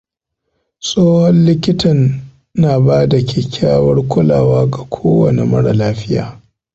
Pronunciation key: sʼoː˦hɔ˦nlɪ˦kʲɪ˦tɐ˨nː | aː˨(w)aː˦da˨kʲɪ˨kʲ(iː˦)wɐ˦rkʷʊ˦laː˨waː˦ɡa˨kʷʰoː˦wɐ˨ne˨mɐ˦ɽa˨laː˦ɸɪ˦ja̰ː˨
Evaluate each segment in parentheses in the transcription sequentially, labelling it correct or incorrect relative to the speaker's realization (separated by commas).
incorrect, incorrect